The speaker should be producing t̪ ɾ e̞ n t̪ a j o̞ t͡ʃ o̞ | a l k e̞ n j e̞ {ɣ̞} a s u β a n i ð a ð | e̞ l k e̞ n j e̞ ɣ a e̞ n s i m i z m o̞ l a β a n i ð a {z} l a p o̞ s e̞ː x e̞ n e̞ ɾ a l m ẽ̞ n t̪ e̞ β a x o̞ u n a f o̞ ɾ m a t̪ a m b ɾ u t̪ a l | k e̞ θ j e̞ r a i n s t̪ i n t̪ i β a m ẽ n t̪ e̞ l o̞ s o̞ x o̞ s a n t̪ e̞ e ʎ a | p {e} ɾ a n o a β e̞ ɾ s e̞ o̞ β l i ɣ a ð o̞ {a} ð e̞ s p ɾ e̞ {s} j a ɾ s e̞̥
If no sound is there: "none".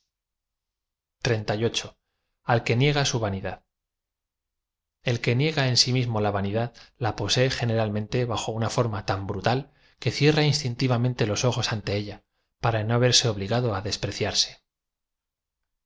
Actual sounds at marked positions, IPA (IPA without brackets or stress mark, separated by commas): ɣ̞, ð, a, a, θ